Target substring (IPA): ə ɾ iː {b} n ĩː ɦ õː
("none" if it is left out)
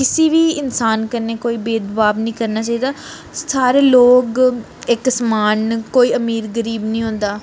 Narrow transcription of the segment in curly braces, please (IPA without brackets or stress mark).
b